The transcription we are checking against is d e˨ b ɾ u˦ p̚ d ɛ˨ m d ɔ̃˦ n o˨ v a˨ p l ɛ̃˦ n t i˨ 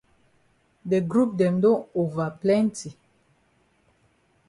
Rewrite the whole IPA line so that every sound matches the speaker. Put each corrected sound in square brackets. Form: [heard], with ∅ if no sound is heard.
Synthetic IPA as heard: d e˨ [ɡ] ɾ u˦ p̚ d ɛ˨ m d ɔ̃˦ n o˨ v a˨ p l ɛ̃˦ n t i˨